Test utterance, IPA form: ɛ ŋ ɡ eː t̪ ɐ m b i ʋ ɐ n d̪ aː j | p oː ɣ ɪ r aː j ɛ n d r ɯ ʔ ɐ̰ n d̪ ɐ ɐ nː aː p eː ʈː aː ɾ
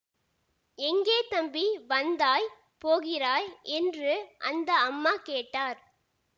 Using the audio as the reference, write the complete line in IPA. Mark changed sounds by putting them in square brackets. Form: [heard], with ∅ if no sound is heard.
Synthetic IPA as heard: ɛ ŋ ɡ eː t̪ ɐ m b i ʋ ɐ n d̪ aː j | p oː ɣ ɪ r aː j ɛ n d r ɯ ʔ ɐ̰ n d̪ ɐ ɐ [mː] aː [k] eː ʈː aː ɾ